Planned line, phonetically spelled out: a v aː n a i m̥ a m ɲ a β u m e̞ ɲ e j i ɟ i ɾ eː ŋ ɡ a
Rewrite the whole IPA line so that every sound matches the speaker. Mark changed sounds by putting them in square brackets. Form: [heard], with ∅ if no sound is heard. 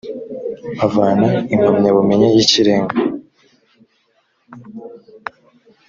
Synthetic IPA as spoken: a v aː n a i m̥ a m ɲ a β u m e̞ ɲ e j i [c] i ɾ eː ŋ ɡ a